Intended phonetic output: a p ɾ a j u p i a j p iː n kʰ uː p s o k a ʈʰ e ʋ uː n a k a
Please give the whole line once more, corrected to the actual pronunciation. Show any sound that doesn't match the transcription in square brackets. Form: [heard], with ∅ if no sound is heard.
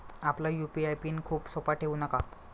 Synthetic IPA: a p [l] a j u p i a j p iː n kʰ uː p s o [p] a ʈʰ e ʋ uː n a k a